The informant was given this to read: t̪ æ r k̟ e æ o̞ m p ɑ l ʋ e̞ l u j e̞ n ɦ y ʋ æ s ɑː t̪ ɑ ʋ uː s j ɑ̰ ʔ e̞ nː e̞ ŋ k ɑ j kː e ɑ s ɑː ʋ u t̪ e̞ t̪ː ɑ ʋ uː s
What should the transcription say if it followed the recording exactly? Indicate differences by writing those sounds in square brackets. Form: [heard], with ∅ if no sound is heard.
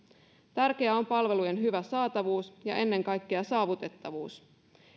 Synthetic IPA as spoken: t̪ æ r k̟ e æ o̞ m p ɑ l ʋ e̞ l u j e̞ n ɦ y ʋ æ s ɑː t̪ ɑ ʋ uː s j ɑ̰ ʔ e̞ nː e̞ ŋ k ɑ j kː e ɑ s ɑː ʋ u t̪ e̞ t̪ː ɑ ʋ uː s